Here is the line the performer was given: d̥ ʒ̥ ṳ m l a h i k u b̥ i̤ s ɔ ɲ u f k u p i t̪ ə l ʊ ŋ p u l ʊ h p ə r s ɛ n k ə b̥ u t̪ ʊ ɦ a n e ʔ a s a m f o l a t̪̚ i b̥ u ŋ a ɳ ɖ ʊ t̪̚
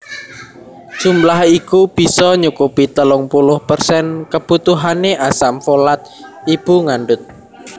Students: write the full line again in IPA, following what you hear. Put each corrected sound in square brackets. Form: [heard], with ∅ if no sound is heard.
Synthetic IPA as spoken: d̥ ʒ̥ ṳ m l a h i k u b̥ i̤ s ɔ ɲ u [∅] k u p i t̪ ə l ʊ ŋ p u l ʊ h p ə r s ɛ n k ə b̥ u t̪ [u] ɦ a n e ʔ a s a m f o l a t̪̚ i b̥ u ŋ a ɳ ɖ ʊ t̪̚